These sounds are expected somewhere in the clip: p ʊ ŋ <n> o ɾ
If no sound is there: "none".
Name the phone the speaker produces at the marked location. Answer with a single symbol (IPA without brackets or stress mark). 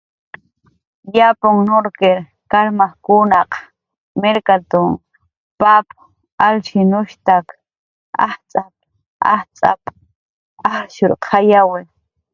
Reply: n